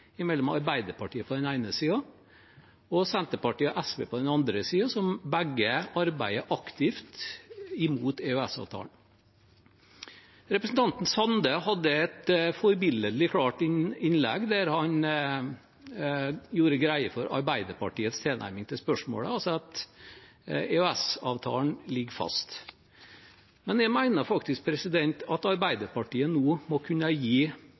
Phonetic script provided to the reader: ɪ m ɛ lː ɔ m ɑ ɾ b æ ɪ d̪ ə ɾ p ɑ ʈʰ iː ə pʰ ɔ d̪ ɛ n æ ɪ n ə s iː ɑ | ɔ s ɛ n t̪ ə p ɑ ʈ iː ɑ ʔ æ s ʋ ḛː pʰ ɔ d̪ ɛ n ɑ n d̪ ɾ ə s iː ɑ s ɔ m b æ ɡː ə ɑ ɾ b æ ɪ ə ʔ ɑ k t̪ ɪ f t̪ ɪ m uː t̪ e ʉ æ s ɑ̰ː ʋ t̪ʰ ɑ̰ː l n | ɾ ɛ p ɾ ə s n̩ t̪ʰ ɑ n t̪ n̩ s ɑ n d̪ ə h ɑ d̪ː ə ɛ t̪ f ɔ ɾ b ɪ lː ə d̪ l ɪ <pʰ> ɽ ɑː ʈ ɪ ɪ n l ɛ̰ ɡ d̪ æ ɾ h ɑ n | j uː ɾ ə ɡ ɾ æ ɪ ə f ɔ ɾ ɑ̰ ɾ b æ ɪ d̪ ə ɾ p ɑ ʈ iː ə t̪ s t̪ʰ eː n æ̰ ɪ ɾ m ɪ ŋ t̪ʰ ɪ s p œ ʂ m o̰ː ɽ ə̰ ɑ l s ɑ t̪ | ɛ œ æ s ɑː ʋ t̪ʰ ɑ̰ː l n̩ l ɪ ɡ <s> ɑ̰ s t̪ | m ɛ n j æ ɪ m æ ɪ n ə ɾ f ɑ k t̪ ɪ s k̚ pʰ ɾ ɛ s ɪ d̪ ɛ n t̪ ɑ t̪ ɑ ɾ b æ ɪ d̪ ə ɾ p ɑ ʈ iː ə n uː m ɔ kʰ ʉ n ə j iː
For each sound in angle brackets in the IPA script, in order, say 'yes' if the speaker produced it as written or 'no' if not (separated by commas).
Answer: no, no